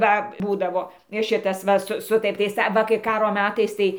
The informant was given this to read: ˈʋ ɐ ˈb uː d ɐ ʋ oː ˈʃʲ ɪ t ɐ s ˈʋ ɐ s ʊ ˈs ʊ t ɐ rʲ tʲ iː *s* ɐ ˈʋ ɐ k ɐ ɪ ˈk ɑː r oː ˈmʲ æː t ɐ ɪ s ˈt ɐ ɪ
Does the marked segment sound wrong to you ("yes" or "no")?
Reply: no